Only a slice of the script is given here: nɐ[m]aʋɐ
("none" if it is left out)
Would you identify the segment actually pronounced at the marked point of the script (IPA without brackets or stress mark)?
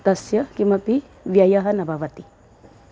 b